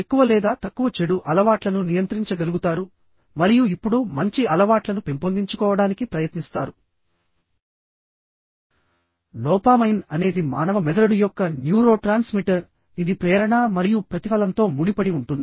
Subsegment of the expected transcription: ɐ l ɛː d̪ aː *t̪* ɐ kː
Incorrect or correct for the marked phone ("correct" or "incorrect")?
correct